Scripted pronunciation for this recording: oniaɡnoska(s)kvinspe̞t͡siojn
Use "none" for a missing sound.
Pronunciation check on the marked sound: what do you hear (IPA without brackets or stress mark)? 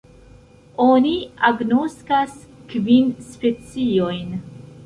s